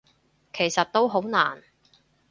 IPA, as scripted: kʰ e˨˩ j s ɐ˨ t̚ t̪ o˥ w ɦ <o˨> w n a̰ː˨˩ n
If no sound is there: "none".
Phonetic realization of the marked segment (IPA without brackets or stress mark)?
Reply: o˨˥